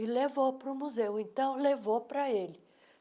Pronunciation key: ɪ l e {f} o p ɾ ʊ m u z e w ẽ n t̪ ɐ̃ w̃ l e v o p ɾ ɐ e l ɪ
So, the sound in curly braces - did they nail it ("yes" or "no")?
no